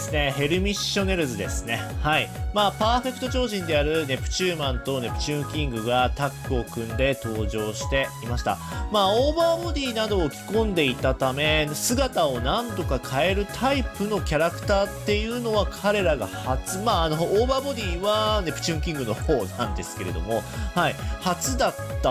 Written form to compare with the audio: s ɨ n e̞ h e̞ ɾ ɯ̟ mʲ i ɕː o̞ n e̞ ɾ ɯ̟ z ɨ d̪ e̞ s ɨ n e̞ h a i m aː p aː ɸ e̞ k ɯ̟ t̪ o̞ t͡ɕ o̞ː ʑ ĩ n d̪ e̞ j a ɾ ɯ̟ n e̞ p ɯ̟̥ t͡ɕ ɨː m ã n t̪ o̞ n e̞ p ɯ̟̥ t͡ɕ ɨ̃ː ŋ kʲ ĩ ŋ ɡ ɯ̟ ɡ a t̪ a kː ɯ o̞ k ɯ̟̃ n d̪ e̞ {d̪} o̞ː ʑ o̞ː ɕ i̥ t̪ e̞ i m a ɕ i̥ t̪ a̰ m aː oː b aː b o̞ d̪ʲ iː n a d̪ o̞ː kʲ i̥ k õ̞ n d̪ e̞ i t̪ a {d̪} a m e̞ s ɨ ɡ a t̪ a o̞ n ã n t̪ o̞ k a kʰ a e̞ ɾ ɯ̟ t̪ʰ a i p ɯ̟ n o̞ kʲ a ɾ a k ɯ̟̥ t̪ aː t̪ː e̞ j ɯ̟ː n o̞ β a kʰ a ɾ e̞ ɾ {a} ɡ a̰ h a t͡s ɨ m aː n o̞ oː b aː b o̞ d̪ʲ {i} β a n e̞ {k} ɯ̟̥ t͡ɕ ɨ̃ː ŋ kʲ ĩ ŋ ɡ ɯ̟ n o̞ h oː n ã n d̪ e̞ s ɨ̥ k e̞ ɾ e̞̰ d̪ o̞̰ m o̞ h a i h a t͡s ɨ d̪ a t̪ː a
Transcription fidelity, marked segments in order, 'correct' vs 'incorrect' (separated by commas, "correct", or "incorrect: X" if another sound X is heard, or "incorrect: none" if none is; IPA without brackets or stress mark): incorrect: t̪, incorrect: t̪, correct, incorrect: iː, incorrect: p